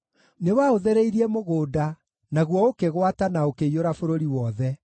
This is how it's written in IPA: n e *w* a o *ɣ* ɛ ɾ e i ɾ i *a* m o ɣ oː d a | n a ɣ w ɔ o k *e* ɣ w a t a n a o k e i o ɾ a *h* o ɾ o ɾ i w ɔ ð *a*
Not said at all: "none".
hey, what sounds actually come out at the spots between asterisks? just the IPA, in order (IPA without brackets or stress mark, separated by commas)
w, ð, ɛ, e, f, ɛ